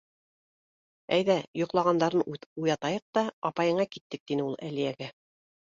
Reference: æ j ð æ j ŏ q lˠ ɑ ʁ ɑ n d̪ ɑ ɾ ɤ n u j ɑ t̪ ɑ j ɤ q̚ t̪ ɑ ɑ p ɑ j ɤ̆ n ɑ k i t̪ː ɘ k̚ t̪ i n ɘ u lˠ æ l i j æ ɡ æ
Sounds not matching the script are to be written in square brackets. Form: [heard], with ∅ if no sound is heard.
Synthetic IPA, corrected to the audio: æ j ð æ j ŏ q lˠ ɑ ʁ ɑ n d̪ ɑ ɾ ɤ n u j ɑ t̪ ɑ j ɤ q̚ t̪ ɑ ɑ p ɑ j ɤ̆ [ɴ] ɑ k i t̪ː ɘ k̚ t̪ i n ɘ u lˠ æ l i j æ ɡ æ